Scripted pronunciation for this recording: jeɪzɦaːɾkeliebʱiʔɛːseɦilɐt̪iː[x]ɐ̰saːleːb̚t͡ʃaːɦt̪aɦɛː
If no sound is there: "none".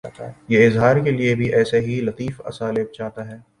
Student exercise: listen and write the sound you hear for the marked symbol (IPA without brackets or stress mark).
f